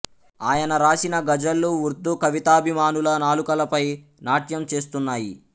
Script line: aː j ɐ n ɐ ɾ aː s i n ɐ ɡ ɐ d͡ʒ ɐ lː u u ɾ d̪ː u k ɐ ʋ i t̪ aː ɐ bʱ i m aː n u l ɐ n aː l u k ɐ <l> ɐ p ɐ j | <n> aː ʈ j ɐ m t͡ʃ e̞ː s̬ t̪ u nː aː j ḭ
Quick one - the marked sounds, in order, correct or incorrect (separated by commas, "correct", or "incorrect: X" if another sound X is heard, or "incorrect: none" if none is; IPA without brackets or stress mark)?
correct, correct